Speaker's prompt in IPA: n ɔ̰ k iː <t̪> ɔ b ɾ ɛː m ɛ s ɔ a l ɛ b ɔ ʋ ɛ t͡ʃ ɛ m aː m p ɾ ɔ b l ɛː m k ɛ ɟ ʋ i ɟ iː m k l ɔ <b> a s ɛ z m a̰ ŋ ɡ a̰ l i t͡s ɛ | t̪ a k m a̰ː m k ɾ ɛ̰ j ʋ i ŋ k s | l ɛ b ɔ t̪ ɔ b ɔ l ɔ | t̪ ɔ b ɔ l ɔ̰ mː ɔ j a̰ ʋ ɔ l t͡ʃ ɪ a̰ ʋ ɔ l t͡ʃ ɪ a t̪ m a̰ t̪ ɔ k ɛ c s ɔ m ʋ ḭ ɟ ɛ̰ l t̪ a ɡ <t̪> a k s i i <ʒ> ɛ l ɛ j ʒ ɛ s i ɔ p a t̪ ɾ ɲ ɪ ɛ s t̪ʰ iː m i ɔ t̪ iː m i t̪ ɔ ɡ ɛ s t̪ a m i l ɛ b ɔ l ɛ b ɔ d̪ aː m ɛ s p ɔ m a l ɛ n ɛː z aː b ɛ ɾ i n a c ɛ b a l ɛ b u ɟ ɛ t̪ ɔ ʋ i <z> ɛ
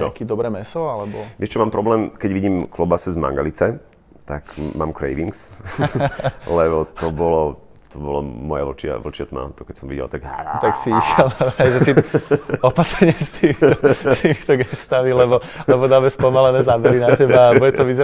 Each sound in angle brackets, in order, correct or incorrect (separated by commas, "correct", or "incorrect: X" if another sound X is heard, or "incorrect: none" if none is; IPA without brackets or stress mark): incorrect: d̪, correct, correct, incorrect: ʃ, correct